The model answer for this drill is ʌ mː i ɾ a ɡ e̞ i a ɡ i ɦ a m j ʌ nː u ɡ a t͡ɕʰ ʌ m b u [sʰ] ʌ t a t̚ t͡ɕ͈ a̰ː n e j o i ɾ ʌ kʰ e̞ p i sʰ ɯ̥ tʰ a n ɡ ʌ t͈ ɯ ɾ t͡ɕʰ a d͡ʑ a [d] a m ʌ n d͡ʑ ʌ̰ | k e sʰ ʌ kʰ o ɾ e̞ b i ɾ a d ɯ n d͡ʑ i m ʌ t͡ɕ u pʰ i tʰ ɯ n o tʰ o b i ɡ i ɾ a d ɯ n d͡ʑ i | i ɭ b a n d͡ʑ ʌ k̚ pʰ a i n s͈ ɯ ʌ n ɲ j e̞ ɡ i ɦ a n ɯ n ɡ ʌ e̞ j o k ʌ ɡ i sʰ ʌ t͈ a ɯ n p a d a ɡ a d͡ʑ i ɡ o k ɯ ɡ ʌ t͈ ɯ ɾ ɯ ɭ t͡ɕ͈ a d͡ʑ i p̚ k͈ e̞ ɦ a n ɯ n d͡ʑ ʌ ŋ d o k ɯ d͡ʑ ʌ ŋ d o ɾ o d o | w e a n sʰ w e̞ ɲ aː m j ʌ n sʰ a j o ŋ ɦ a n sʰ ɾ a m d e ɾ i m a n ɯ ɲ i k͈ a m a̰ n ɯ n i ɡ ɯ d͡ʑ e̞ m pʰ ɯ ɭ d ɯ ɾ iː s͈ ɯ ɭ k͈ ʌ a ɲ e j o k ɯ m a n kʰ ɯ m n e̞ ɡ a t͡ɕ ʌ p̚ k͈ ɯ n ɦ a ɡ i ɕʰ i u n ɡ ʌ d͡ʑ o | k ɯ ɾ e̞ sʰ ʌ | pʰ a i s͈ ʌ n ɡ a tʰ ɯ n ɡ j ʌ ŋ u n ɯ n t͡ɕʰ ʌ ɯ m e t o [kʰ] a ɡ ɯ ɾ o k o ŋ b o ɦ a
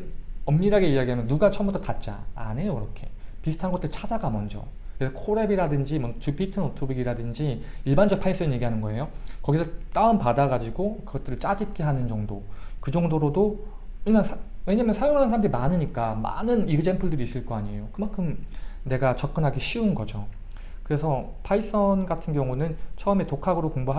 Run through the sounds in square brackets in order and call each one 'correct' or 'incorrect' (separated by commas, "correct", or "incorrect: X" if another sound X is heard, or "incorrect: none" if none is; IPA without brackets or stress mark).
incorrect: tʰ, incorrect: ɡ, correct